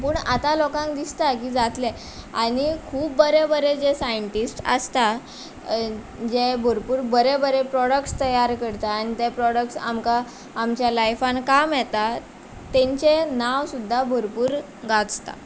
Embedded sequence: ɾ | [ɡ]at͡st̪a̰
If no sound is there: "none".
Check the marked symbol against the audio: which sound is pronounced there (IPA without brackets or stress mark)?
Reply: ɡ